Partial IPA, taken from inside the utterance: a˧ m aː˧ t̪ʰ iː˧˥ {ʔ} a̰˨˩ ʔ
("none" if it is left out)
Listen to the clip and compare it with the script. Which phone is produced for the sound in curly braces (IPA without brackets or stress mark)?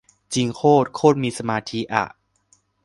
ʔ